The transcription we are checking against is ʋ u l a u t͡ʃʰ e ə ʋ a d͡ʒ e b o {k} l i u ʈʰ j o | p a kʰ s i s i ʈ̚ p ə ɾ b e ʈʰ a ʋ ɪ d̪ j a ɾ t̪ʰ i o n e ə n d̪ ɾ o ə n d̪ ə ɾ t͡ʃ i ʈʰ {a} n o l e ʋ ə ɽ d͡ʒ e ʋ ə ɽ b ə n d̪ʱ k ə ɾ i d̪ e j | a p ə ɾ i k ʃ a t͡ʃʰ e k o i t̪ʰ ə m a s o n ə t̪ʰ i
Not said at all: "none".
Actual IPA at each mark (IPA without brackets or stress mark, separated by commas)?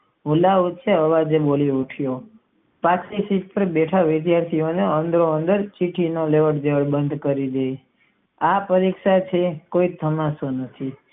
none, i